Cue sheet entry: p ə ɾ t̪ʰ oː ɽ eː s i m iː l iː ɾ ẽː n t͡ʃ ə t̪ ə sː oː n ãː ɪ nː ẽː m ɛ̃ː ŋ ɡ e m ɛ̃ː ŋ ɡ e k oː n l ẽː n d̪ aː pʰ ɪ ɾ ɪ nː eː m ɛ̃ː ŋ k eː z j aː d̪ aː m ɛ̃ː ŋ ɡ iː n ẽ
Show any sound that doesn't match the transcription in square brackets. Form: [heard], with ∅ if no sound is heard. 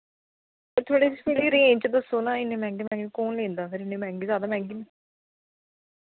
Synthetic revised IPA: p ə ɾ t̪ʰ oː ɽ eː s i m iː l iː ɾ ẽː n t͡ʃ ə [d̪] ə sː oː n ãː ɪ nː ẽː m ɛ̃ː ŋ ɡ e m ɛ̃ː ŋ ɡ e k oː n l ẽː n d̪ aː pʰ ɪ ɾ ɪ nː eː m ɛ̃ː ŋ [ɡ] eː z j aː d̪ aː m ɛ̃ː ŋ ɡ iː n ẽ